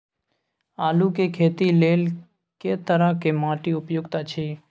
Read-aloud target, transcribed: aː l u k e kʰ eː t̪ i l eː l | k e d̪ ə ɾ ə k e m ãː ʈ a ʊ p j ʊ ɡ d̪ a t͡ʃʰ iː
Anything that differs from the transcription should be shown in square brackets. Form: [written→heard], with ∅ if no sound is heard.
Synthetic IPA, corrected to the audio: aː l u k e kʰ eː t̪ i l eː l | k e [d̪→t̪] ə ɾ ə k e m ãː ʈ [a→i] ʊ p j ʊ ɡ [d̪→t̪] a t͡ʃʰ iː